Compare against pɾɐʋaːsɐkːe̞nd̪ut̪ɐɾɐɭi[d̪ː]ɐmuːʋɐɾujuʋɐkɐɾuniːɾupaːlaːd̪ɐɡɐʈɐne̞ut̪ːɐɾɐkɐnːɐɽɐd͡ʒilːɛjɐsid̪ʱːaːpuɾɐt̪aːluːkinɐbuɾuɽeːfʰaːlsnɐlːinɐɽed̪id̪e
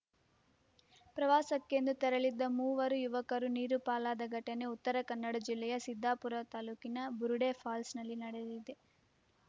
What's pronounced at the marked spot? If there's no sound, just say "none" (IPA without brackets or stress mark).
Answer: d̪ː